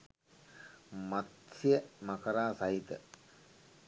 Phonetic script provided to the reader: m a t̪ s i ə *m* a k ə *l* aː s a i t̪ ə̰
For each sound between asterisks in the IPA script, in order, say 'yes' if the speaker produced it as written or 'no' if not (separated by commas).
yes, no